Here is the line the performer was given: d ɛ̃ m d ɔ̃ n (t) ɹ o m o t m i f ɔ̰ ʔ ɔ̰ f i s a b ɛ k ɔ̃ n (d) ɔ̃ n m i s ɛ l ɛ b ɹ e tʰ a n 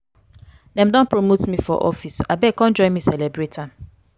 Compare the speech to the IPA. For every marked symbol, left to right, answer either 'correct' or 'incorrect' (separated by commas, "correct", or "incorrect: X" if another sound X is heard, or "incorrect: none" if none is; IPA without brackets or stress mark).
incorrect: p, incorrect: d͡ʒ